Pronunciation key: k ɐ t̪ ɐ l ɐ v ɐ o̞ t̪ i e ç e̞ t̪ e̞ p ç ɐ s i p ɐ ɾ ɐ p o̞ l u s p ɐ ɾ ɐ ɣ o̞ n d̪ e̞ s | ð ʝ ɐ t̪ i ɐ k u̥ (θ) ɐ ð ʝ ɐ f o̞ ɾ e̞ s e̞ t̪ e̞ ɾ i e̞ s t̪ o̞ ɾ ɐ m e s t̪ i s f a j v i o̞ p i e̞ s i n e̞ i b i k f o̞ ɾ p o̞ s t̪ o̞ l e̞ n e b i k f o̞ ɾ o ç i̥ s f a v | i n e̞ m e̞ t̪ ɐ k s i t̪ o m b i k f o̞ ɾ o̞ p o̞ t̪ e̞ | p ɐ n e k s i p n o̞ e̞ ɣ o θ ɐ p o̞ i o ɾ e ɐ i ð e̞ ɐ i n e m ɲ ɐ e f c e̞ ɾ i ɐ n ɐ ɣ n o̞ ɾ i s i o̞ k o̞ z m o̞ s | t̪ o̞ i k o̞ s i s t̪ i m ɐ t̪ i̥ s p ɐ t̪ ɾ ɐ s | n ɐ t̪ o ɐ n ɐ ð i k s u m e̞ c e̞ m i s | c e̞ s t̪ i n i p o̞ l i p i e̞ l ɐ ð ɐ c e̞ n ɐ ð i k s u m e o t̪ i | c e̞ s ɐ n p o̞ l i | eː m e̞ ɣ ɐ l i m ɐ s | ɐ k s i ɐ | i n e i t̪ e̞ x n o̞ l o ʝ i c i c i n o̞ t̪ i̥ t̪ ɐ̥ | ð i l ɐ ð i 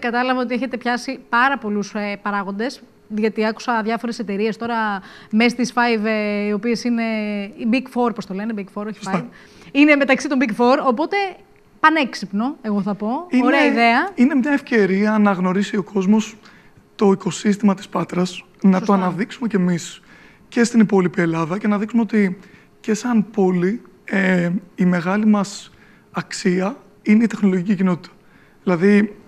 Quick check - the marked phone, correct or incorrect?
incorrect